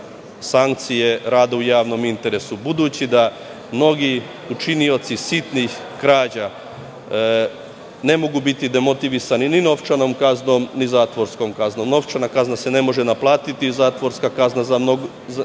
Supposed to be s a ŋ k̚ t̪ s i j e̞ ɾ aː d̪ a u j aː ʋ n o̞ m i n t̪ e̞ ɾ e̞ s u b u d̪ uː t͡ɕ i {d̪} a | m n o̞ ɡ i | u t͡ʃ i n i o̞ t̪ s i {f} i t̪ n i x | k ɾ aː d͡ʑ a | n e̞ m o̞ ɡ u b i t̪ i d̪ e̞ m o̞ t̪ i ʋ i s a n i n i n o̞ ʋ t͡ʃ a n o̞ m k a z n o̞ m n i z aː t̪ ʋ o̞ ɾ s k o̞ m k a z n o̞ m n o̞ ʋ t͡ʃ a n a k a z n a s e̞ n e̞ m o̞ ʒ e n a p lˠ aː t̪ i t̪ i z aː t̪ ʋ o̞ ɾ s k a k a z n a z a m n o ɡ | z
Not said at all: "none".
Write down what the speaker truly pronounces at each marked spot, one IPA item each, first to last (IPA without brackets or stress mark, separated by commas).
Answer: d̪, s